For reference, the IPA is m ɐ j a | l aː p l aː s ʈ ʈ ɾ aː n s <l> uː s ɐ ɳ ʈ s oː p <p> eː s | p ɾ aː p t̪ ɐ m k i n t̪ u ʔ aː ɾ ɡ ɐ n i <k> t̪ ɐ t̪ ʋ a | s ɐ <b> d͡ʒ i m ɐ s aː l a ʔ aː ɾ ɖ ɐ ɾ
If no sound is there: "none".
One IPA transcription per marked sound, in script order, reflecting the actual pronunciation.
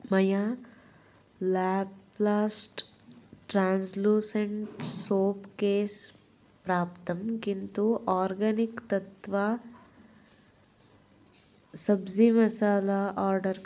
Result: l, k, k, b

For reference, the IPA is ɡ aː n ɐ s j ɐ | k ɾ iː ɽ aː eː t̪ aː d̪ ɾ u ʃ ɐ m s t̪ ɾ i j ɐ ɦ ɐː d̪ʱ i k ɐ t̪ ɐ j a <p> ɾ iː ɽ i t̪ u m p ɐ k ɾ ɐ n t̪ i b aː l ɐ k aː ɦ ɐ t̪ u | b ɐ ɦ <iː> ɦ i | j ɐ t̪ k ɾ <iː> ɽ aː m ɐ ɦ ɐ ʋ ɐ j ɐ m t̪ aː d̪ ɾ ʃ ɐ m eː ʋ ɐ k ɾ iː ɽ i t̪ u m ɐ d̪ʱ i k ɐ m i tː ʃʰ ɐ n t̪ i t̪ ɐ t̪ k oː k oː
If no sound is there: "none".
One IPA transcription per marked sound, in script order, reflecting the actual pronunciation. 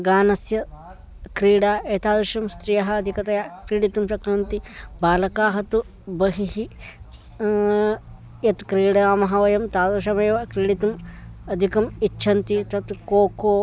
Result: k, i, iː

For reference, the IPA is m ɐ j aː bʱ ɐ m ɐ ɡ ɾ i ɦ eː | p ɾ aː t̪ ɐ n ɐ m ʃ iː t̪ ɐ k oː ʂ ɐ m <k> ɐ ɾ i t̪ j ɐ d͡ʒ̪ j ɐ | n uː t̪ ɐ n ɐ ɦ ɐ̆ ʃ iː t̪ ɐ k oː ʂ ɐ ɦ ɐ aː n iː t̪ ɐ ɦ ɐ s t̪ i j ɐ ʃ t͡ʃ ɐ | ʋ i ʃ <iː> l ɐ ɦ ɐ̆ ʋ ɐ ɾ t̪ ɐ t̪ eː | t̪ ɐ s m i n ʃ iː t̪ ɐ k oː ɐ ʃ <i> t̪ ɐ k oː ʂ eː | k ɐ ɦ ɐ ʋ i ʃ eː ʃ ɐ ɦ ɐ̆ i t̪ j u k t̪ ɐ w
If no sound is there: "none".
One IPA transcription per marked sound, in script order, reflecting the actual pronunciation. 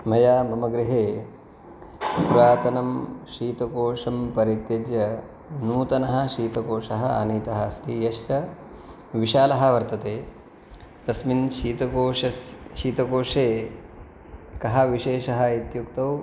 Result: p, aː, iː

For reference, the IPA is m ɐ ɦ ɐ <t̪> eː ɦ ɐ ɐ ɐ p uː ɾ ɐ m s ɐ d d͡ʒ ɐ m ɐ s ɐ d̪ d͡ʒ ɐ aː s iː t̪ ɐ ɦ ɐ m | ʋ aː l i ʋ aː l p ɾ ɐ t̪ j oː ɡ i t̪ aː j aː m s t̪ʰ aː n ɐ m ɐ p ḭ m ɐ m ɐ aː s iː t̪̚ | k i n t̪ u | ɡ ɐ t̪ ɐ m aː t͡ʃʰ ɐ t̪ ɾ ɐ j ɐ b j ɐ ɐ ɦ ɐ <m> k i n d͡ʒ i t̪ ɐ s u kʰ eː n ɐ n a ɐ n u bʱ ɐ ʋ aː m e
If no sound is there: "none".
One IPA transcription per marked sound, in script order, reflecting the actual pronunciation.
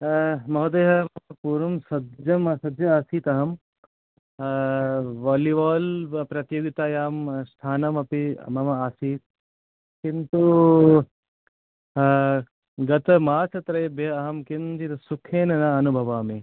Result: d̪, m

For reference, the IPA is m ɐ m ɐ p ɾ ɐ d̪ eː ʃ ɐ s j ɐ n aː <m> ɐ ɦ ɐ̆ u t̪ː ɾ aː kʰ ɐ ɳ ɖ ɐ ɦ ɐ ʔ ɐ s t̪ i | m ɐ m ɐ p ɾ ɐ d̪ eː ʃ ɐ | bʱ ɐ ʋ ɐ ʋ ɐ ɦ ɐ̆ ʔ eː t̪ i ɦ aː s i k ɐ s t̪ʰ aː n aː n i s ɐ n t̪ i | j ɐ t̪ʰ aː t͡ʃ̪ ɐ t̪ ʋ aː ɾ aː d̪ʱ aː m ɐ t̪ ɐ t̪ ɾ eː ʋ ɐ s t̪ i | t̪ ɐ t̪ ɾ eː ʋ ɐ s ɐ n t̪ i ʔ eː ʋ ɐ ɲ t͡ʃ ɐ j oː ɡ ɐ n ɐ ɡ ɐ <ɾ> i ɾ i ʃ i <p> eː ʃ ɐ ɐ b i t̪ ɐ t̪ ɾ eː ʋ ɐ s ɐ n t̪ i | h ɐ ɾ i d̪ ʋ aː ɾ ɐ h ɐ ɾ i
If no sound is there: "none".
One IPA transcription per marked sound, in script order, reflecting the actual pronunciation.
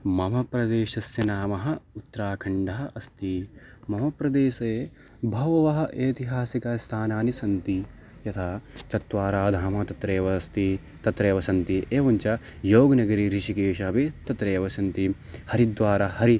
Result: m, ɾ, k

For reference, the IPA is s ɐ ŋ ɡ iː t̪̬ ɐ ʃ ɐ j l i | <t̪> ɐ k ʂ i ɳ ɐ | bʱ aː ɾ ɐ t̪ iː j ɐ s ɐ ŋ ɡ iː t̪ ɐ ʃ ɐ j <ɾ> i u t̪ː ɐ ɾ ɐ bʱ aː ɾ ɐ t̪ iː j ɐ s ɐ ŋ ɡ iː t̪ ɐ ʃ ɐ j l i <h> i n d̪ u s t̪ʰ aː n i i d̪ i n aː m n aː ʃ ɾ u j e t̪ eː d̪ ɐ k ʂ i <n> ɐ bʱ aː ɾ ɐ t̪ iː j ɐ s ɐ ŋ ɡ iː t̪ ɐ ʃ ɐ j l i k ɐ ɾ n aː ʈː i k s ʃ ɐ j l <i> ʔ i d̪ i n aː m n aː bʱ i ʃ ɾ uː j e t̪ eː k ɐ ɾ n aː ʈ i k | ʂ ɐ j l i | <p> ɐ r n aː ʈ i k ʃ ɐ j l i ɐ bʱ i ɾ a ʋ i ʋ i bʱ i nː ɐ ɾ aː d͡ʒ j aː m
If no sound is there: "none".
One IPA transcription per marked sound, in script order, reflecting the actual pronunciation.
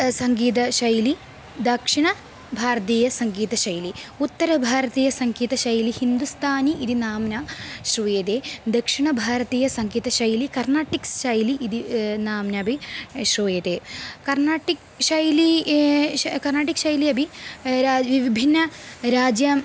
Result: d̪, l, h, ɳ, i, k

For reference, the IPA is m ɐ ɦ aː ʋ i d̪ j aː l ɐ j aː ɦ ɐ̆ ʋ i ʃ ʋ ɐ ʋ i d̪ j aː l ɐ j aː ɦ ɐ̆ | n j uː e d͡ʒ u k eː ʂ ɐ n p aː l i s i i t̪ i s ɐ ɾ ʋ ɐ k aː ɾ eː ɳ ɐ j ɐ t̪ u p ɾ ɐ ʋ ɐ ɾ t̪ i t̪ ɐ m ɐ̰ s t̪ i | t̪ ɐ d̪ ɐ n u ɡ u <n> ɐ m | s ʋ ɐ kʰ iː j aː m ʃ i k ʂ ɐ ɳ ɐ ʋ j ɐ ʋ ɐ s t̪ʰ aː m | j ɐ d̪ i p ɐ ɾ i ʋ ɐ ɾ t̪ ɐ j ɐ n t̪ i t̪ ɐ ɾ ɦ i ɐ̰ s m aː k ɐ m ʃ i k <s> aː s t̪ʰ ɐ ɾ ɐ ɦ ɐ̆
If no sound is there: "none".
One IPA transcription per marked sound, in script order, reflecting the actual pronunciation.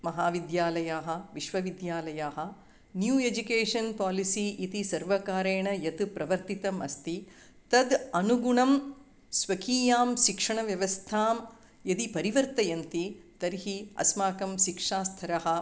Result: ɳ, ʂ

